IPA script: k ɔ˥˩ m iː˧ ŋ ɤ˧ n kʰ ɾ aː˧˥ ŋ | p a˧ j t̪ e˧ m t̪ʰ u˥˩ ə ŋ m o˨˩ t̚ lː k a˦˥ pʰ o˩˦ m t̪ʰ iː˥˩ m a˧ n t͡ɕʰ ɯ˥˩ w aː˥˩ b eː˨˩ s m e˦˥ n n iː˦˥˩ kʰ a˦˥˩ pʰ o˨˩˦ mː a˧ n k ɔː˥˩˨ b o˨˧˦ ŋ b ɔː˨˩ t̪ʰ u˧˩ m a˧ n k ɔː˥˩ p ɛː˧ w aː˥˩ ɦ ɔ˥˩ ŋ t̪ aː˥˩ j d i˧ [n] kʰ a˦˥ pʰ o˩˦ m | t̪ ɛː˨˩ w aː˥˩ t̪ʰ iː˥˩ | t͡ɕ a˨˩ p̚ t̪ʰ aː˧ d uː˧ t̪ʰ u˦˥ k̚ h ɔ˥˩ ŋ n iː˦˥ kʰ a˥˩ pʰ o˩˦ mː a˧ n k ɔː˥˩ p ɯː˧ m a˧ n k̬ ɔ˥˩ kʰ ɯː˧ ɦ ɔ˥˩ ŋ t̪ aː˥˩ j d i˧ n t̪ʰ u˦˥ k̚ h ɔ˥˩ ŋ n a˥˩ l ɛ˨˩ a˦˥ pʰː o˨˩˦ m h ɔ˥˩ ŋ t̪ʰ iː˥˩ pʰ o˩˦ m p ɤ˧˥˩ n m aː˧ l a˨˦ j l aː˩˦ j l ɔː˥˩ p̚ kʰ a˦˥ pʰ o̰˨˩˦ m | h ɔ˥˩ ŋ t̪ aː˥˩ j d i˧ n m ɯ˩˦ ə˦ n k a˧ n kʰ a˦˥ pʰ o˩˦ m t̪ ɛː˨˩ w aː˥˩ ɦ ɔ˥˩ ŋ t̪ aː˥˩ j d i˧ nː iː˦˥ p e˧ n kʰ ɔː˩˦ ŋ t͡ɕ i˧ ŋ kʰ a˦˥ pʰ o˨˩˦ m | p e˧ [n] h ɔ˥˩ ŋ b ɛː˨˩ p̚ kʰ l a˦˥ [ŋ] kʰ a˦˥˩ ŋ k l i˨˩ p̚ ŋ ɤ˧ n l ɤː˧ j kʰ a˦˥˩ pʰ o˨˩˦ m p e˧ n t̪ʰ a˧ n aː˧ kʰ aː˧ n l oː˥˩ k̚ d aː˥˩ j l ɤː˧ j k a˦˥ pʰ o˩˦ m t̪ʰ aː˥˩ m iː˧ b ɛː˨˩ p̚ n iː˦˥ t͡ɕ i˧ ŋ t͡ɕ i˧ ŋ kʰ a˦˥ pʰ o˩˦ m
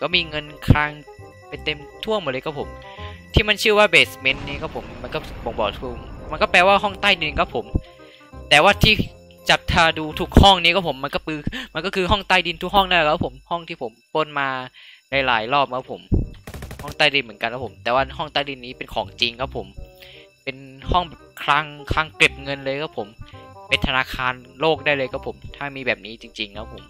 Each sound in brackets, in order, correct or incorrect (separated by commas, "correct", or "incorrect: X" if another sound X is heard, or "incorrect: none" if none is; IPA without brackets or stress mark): correct, correct, correct